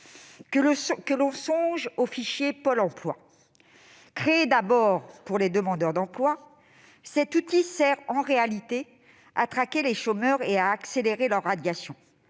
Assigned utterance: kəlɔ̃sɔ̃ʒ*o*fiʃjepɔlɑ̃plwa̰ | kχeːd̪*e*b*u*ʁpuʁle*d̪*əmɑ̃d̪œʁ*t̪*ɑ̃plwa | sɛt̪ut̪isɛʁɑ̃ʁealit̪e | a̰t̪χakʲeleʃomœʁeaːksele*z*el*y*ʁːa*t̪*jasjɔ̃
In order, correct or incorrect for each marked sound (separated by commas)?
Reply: correct, incorrect, incorrect, correct, incorrect, incorrect, incorrect, incorrect